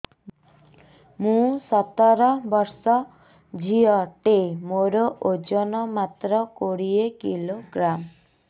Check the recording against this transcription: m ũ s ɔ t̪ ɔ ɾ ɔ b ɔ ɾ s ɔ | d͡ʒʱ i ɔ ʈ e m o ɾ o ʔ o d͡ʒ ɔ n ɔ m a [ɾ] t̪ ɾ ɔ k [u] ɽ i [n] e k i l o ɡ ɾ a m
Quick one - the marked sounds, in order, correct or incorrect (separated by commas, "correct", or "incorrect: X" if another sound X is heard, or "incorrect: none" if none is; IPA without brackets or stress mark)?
incorrect: none, incorrect: o, incorrect: none